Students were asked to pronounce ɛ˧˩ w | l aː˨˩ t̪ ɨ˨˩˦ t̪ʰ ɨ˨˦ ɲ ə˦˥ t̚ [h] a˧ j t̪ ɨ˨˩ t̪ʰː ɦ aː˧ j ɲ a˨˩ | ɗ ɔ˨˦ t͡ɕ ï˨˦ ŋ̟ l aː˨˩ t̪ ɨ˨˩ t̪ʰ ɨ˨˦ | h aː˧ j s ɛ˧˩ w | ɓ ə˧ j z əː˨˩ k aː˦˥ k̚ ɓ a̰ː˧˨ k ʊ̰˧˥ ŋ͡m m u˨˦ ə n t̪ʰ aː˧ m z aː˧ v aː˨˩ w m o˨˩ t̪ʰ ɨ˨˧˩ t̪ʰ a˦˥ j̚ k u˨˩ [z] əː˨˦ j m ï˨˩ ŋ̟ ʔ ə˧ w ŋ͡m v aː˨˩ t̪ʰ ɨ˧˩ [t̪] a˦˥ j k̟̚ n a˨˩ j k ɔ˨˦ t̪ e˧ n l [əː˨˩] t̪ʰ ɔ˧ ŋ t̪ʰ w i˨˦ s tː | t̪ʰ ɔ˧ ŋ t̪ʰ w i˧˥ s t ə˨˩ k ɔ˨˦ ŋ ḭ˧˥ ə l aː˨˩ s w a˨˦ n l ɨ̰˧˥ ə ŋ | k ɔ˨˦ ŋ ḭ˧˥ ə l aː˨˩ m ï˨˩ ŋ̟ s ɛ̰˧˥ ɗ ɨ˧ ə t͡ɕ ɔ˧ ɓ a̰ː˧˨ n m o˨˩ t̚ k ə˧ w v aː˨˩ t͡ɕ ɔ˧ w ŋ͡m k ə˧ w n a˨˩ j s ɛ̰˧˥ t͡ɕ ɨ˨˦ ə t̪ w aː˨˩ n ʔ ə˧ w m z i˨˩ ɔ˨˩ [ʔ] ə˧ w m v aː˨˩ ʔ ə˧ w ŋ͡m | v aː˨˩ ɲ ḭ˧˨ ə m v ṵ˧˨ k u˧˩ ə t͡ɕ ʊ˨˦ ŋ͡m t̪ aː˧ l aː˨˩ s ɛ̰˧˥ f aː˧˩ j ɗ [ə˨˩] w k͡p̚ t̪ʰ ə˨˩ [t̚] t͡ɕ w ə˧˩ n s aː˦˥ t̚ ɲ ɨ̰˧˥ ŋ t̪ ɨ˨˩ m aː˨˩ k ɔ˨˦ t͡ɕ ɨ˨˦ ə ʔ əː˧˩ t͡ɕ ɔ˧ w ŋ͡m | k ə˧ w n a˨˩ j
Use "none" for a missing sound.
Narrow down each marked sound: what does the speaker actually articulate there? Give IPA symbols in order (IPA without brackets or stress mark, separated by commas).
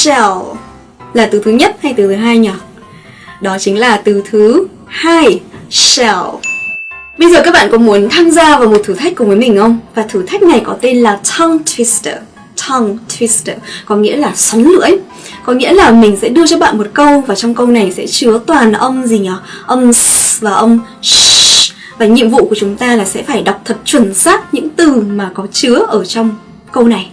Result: h, v, t̪ʰ, aː˨˩, ʔ, a˨˩, t̚